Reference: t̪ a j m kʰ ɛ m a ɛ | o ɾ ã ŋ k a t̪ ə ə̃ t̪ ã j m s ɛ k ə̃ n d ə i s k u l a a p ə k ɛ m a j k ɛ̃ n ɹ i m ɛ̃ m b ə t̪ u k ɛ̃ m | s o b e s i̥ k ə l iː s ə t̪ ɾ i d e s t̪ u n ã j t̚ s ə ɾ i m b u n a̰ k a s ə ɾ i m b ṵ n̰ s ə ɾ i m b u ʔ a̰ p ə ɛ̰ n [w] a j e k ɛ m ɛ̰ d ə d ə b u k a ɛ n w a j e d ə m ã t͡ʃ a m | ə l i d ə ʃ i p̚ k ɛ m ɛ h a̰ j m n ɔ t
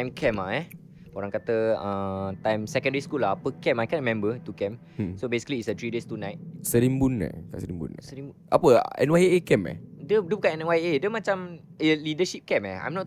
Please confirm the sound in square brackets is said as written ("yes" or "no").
yes